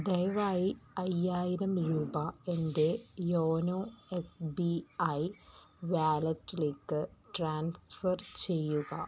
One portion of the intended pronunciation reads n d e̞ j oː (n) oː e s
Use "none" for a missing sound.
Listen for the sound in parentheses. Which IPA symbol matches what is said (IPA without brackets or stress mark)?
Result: n